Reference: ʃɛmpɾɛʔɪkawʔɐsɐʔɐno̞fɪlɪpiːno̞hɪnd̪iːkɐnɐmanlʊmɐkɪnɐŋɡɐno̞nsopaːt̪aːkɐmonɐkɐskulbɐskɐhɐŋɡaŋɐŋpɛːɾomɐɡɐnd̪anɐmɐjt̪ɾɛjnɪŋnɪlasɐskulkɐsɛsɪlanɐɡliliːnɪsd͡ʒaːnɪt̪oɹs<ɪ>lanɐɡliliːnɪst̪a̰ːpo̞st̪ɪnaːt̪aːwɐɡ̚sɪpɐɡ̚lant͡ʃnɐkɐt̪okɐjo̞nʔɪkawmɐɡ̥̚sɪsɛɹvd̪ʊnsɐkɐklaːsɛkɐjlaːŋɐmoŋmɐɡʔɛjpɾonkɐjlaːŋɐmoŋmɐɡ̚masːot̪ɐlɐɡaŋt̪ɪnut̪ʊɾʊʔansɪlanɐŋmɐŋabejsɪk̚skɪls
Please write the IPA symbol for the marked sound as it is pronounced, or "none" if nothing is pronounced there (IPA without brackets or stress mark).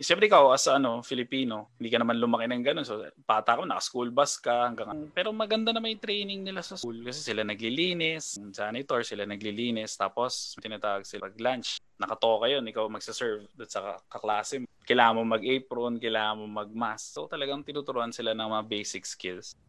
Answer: ɪ